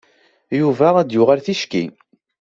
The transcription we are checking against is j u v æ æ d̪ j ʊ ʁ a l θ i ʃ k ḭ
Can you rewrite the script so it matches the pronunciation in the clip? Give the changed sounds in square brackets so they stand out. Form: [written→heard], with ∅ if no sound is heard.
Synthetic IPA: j u v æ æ d̪ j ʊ ʁ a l θ i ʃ k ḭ